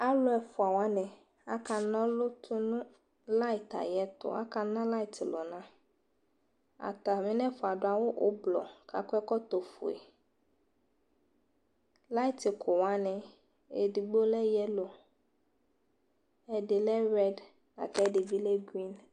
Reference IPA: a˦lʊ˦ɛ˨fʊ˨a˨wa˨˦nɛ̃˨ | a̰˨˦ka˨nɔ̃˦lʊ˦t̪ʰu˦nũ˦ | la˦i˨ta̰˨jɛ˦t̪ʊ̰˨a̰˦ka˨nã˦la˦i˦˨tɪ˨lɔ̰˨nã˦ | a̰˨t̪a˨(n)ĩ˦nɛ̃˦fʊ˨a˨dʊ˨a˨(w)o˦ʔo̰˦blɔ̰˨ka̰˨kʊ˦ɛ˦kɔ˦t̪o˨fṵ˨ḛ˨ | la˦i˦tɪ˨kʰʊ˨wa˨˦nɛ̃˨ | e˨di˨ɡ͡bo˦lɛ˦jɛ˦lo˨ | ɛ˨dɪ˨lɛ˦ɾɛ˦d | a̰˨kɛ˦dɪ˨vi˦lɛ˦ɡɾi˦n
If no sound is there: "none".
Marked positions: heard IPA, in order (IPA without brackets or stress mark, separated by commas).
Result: m, w